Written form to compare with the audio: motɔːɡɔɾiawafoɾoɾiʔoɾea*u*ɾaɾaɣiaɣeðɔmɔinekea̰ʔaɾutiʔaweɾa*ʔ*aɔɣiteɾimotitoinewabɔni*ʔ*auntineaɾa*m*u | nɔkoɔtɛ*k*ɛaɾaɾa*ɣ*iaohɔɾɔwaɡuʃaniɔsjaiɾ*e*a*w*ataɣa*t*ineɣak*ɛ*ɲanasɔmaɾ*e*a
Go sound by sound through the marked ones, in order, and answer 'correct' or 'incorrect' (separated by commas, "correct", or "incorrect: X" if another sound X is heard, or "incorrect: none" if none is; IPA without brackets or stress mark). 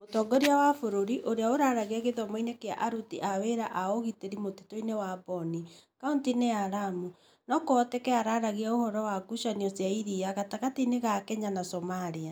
incorrect: o, correct, incorrect: k, correct, correct, correct, incorrect: i, incorrect: ɣ, correct, correct, incorrect: i